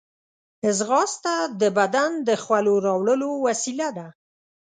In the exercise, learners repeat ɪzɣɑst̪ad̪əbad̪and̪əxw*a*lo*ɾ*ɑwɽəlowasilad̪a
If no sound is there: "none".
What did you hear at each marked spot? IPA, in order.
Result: a, ɾ

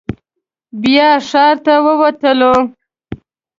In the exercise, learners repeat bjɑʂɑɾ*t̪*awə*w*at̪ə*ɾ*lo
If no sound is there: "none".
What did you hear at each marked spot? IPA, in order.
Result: t̪, w, none

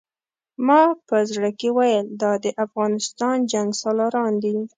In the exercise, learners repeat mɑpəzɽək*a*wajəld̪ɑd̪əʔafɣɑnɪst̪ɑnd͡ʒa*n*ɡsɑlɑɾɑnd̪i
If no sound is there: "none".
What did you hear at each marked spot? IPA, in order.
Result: e, ŋ

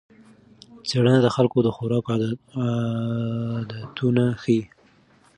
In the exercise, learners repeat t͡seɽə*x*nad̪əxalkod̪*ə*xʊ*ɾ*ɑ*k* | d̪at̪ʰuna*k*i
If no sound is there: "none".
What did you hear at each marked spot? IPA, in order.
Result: none, ə, ɾ, k, x

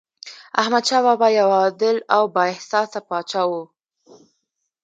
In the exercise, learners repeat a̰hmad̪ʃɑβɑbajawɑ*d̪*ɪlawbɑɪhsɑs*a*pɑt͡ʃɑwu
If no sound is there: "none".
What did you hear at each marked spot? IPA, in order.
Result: d̪, a

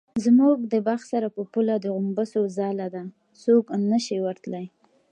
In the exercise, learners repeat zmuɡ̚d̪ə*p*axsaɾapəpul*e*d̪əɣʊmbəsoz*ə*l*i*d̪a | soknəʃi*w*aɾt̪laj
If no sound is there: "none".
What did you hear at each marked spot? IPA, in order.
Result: b, a, ɑ, a, w

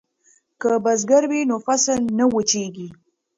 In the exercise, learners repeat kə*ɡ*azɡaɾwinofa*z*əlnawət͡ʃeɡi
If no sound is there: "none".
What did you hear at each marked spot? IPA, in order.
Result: b, s

